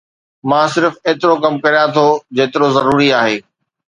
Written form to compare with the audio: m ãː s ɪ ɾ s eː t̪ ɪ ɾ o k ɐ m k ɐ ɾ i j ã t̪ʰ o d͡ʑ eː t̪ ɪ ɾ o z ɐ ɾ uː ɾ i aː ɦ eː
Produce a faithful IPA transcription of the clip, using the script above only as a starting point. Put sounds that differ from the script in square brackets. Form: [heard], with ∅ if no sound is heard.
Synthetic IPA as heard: m ãː s ɪ ɾ [f] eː t̪ ɪ ɾ o k ɐ m k ɐ ɾ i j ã t̪ʰ o d͡ʑ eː t̪ ɪ ɾ o z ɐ ɾ uː ɾ i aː ɦ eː